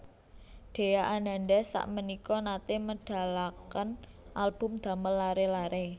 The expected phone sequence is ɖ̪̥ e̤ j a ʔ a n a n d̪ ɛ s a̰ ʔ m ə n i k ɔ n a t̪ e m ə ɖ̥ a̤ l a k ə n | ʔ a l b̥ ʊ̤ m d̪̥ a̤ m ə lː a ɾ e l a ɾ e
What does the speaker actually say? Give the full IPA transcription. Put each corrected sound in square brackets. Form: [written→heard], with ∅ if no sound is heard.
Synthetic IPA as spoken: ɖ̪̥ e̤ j a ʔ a n a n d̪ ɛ s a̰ ʔ m ə n i k ɔ n a t̪ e m ə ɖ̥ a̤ l a k ə n | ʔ a l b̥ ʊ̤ m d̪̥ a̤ m ə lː a ɾ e l a ɾ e